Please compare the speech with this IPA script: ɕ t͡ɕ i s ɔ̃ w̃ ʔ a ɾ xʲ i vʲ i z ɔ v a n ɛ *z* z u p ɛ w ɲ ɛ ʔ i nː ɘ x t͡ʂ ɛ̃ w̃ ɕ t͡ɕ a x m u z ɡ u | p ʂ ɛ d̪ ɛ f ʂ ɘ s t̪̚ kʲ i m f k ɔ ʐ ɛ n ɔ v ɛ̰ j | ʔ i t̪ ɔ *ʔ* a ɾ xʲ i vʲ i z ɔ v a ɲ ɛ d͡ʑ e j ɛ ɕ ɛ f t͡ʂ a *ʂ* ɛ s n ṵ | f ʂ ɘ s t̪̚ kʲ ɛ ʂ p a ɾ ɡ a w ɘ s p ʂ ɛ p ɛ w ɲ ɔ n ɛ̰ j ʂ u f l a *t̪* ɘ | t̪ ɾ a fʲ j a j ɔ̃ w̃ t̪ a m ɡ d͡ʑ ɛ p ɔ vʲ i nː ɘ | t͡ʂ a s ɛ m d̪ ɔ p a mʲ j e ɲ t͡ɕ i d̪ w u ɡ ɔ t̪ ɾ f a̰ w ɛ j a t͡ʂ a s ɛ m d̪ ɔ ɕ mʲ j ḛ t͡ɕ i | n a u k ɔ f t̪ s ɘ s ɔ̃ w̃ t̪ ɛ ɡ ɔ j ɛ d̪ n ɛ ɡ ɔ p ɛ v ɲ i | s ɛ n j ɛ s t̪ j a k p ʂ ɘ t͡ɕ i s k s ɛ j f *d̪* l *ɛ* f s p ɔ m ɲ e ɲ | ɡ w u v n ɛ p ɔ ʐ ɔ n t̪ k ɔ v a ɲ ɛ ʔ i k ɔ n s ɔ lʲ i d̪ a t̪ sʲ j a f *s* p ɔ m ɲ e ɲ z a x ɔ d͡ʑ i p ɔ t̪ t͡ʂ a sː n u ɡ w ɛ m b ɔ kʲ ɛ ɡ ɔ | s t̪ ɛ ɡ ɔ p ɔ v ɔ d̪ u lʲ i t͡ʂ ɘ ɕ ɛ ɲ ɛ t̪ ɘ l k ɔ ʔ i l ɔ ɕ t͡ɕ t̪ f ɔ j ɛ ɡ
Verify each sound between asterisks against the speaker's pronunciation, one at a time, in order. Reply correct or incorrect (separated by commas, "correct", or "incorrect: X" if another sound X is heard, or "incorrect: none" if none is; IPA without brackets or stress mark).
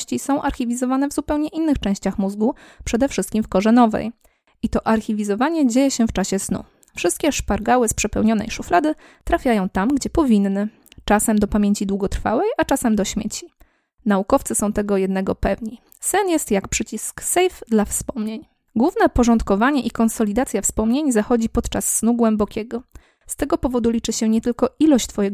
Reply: incorrect: v, correct, incorrect: ɕ, incorrect: d̪, correct, incorrect: a, correct